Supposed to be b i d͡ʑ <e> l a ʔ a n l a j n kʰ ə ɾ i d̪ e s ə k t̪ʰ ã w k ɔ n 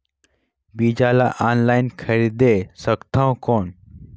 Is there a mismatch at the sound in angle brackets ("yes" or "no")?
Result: yes